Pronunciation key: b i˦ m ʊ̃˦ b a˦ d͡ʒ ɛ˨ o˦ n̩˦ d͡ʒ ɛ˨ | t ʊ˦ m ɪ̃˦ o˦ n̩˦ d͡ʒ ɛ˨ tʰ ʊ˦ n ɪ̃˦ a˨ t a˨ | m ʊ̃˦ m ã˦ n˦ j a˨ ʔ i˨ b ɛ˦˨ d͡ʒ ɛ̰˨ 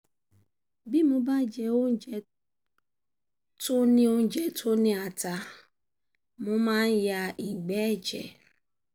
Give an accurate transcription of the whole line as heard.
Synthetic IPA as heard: b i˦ m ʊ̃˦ b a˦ d͡ʒ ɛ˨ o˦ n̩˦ d͡ʒ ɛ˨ | t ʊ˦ n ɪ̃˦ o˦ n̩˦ d͡ʒ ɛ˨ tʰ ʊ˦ n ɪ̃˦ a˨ t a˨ | m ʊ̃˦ m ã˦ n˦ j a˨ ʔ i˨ ɡ͡b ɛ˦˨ d͡ʒ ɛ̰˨